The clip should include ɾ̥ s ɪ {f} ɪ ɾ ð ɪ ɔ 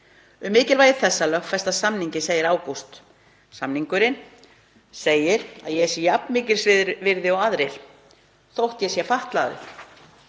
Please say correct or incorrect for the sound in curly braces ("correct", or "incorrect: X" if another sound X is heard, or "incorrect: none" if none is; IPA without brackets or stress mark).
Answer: incorrect: v